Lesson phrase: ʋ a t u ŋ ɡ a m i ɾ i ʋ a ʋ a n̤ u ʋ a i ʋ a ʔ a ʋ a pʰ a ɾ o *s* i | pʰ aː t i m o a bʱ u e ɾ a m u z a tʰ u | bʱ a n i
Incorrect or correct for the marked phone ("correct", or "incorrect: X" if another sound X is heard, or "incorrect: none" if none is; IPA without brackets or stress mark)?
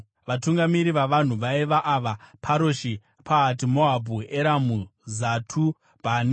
incorrect: ʃ